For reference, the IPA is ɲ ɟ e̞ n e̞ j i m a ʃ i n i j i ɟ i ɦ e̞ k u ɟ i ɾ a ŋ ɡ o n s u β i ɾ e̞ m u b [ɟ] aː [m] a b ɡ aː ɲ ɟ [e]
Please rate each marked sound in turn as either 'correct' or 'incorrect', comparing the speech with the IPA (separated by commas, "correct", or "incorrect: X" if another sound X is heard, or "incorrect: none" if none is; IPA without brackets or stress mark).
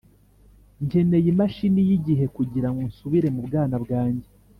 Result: incorrect: ɡ, incorrect: n, correct